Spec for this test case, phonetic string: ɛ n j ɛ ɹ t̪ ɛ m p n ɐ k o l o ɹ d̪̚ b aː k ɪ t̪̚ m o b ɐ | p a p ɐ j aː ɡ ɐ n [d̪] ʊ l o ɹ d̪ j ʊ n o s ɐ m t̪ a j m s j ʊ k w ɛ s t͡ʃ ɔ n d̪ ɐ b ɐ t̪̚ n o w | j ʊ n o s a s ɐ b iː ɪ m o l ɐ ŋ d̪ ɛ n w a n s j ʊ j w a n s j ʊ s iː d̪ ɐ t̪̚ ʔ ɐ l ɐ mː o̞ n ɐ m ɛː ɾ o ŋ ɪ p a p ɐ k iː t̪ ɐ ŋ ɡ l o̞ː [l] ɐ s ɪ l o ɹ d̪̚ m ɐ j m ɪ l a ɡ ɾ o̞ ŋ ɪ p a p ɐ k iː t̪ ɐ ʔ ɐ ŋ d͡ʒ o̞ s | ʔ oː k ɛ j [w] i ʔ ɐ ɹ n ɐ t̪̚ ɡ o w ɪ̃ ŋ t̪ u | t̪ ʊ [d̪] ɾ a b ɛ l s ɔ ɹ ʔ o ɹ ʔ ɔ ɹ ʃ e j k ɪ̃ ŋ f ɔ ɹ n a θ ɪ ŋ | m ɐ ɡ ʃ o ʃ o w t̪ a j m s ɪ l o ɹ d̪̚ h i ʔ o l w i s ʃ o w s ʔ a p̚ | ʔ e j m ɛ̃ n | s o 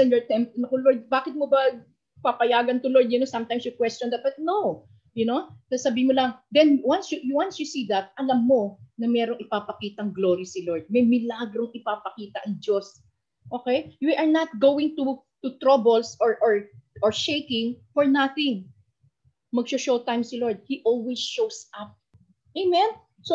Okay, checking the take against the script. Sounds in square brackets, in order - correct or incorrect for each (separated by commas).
incorrect, incorrect, correct, incorrect